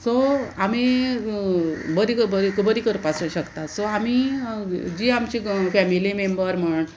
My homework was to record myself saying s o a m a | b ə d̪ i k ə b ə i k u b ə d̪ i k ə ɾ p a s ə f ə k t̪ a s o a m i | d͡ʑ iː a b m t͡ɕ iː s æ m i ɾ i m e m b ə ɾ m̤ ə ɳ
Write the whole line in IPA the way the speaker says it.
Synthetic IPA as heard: s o a m i | b ə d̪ i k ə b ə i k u b ə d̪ i k ə ɾ p a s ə ɕ ə k t̪ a s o a m i | d͡ʑ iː a m t͡ɕ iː f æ m i l i m e m b ə ɾ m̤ ə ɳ

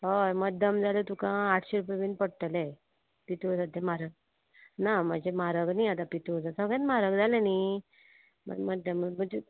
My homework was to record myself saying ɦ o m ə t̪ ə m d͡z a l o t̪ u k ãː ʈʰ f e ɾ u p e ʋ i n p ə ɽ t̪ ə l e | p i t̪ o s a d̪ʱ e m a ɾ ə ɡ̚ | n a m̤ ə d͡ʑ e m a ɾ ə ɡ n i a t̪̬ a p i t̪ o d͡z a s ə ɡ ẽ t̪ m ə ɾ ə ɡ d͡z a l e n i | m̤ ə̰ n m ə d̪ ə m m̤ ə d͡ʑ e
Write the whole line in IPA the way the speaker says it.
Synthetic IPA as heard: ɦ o m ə d̪ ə m d͡z a l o t̪ u k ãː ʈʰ ɕ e ɾ u p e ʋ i n p ə ɽ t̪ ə l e | p i t̪ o s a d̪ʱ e m a ɾ ə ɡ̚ | n a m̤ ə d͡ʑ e m a ɾ ə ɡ n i a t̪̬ a p i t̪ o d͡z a s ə ɡ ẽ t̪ m a ɾ ə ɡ d͡z a l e n i | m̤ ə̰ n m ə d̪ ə m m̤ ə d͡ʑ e

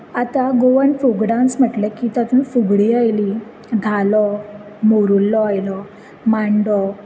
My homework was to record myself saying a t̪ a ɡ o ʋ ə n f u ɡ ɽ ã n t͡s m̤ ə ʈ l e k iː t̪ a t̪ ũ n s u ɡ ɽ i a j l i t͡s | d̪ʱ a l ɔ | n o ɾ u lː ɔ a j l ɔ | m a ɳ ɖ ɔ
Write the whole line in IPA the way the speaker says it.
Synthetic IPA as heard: a t̪ a ɡ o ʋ ə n f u ɡ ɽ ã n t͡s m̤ ə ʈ l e k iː t̪ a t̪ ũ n f u ɡ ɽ i a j l i | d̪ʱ a l ɔ | m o ɾ u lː ɔ a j l ɔ | m a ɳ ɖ ɔ

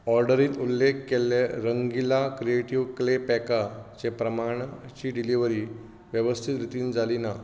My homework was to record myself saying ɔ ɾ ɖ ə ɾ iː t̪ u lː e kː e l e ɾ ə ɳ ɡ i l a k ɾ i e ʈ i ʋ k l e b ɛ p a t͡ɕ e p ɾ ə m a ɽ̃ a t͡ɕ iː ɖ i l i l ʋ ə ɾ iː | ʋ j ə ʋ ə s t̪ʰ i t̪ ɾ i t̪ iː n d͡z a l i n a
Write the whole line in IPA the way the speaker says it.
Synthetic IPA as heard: ɔ ɾ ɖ ə ɾ iː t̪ u lː e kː e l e ɾ ə ŋ ɡ i l a k ɾ i e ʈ i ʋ k l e p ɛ k a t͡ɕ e p ɾ ə m a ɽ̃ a t͡ɕ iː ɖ i l i ʋ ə ɾ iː | ʋ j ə ʋ ə s t̪ʰ i t̪ ɾ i t̪ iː n d͡z a l i n a

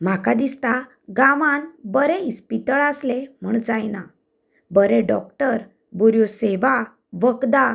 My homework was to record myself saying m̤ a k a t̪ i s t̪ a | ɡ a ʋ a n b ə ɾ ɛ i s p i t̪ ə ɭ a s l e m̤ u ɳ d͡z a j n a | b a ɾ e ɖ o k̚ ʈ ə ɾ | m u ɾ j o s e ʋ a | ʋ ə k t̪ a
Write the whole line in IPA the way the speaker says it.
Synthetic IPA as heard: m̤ a k a d̪ i s t̪ a | ɡ a ʋ a n b ə ɾ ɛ i s p i t̪ ə ɭ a s l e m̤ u ɳ d͡z a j n a | b ə ɾ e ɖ ɔ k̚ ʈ ə ɾ | b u ɾ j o s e ʋ a | ʋ ə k d̪ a

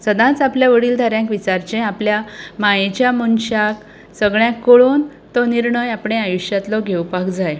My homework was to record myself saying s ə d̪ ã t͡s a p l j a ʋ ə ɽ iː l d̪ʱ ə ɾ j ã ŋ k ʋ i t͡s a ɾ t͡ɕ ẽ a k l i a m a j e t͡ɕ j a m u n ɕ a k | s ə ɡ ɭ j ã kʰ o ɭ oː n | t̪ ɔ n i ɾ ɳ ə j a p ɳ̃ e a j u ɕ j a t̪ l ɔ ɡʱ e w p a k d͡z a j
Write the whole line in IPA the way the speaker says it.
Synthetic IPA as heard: s ə d̪ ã t͡s a p l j a ʋ ə ɽ iː l d̪ʱ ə ɾ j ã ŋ k ʋ i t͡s a ɾ t͡ɕ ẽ a p l j a m a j e t͡ɕ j a m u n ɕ a k | s ə ɡ ɭ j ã k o ɭ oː n | t̪ ɔ n i ɾ ɳ ə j a p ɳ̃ e a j u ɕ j a t̪ l ɔ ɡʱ e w p a k d͡z a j

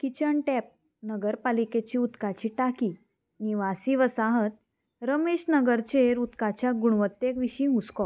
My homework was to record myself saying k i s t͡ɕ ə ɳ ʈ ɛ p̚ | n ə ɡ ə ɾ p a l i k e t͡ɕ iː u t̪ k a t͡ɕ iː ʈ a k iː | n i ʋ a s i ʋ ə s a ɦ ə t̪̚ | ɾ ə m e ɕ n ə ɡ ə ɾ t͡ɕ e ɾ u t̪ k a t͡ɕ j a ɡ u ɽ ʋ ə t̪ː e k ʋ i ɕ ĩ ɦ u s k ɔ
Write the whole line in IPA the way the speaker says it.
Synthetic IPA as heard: k i t͡ɕ ə ɳ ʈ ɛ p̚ | n ə ɡ ə ɾ p a l i k e t͡ɕ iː u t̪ k a t͡ɕ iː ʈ a k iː | n i ʋ a s i ʋ ə s a ɦ ə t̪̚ | ɾ ə m e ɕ n ə ɡ ə ɾ t͡ɕ e ɾ u t̪ k a t͡ɕ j a ɡ u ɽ ʋ ə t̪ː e k ʋ i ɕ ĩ ɦ u s k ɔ

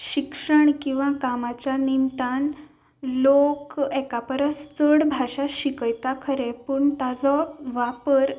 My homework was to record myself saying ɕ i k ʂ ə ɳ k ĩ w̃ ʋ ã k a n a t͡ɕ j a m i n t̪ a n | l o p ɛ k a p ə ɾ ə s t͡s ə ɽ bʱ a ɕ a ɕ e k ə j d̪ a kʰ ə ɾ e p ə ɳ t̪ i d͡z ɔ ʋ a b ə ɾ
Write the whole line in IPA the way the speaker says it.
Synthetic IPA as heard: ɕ i k ʂ ə ɳ k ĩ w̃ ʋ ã k a m a t͡ɕ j a n i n t̪ a n | l o k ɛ k a p ə ɾ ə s t͡s ə ɽ bʱ a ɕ a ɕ i k ə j t̪ a kʰ ə ɾ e p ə ɳ t̪ a d͡z ɔ ʋ a p ə ɾ

